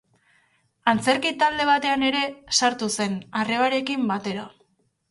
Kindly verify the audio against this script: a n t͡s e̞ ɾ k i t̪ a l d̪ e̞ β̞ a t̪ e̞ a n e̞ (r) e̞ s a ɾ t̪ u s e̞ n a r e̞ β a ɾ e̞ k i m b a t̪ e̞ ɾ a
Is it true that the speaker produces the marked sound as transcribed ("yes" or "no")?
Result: no